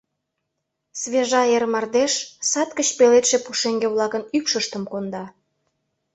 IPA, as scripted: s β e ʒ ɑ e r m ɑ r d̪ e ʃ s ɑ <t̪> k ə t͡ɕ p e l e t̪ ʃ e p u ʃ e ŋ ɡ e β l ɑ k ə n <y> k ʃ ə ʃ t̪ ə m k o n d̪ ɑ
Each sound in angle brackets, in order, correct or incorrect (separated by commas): correct, correct